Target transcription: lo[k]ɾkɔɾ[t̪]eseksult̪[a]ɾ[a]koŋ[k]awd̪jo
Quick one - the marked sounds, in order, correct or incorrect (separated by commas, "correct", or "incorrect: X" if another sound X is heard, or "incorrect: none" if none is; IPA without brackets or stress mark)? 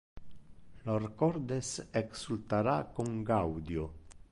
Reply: incorrect: none, incorrect: d̪, correct, correct, incorrect: ɡ